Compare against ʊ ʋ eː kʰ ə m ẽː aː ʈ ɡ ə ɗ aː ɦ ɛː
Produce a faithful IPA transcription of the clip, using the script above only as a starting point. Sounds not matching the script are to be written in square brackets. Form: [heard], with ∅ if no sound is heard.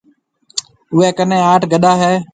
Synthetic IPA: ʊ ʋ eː [k] ə [n] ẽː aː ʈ ɡ ə ɗ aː ɦ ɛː